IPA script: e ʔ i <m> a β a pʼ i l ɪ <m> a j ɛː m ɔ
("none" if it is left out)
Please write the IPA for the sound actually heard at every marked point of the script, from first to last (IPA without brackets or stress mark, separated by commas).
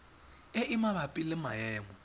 m, m